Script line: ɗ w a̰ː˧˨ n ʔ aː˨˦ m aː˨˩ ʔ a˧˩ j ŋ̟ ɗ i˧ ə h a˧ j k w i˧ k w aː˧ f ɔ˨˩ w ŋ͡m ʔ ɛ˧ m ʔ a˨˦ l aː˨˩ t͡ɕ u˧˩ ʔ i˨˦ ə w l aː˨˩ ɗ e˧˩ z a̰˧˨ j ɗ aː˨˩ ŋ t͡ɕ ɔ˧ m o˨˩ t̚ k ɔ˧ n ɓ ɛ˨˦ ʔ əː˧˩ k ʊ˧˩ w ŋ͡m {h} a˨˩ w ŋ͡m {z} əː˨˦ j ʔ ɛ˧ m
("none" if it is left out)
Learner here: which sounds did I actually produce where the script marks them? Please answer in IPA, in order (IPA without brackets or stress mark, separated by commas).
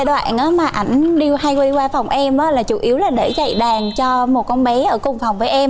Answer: f, v